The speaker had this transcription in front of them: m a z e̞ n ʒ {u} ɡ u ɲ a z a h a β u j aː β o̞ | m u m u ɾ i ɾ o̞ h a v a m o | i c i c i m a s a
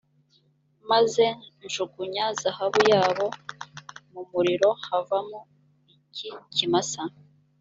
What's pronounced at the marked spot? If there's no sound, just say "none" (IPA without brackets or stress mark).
u